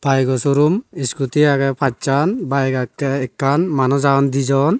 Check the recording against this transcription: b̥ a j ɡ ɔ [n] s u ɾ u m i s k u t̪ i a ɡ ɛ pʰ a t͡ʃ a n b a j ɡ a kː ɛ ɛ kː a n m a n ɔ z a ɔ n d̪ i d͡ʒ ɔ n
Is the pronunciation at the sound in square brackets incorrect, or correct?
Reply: incorrect